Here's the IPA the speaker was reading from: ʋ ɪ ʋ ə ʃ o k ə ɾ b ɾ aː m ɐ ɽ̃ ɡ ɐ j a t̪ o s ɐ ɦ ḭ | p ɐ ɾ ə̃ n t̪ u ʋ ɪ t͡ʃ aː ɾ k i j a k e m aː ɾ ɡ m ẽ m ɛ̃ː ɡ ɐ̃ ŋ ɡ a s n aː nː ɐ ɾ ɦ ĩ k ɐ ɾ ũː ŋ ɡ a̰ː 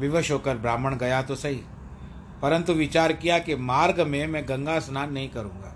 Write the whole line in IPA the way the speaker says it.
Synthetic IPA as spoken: ʋ ɪ ʋ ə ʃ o k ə ɾ b ɾ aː m ə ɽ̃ ɡ ɐ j a t̪ o s ɐ ɦ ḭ | p ɐ ɾ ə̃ n t̪ u ʋ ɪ t͡ʃ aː ɾ k i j a k e m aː ɾ ɡ m ẽ m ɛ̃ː ɡ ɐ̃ ŋ ɡ a s n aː nː ɐ ɦ ĩ k ɐ ɾ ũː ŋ ɡ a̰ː